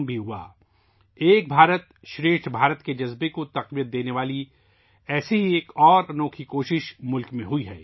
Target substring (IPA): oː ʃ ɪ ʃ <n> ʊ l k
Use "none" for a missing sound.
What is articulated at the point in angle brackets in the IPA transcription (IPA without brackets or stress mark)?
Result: m